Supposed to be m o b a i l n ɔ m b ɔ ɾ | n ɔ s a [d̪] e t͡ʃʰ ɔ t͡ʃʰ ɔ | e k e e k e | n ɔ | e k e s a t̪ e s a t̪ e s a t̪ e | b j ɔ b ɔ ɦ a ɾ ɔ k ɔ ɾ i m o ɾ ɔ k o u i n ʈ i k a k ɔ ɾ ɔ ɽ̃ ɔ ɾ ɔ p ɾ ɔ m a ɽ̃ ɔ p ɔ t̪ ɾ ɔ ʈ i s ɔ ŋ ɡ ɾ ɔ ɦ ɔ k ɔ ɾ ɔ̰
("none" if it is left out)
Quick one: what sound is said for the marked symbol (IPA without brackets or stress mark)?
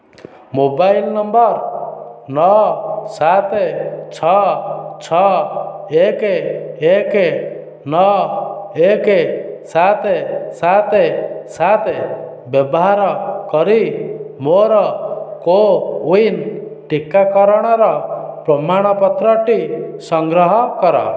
t̪